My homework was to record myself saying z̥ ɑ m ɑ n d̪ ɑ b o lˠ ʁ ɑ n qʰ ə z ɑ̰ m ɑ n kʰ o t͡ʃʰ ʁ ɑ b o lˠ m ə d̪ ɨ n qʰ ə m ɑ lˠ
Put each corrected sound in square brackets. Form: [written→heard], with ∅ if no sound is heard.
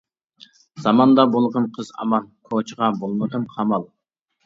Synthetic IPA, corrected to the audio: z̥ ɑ m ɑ n d̪ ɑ b o lˠ ʁ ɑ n qʰ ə z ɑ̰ m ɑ n kʰ o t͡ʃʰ ʁ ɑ b o lˠ m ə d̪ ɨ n qʰ [ə→ɑ] m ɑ lˠ